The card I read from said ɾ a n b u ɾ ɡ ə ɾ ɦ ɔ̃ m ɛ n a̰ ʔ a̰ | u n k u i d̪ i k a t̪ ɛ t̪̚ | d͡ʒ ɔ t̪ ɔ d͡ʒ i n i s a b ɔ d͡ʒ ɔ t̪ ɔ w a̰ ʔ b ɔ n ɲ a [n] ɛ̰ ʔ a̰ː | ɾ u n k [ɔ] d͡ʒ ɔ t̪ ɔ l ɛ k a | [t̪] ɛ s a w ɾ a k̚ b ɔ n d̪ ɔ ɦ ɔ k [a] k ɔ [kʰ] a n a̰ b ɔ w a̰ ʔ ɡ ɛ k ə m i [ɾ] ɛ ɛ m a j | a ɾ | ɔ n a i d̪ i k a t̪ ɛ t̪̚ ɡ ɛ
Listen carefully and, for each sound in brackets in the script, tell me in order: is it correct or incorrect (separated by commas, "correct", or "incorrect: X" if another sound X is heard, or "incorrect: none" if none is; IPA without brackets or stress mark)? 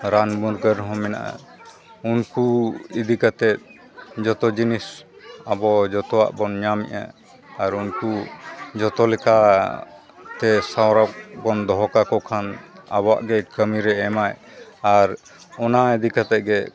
incorrect: m, incorrect: u, correct, correct, correct, correct